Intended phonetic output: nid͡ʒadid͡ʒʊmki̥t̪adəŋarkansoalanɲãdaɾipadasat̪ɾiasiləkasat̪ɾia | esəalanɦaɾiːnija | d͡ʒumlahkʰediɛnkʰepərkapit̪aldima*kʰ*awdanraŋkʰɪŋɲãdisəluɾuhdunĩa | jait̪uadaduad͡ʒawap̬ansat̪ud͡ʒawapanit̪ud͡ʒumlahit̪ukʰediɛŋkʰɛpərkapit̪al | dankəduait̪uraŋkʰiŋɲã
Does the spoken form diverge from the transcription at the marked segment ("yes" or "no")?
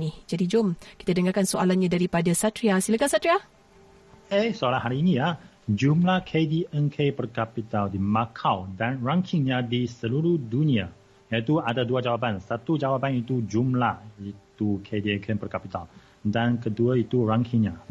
no